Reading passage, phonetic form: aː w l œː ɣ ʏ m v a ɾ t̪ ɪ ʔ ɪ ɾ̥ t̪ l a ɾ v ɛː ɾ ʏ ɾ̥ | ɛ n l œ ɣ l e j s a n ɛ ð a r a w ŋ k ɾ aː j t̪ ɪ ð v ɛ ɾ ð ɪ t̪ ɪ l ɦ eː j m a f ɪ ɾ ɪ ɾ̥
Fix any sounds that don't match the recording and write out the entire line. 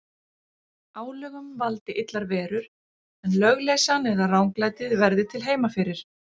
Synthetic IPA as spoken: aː w l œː ɣ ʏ m v a l t̪ ɪ ʔ ɪ t̪ l a ɾ v ɛː ɾ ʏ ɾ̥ | ɛ n l œ ɣ l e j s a n ɛ ð a r a w ŋ k l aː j t̪ ɪ ð v ɛ ɾ ð ɪ t̪ʰ ɪ l ɦ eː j m a f ɪ ɾ ɪ ɾ̥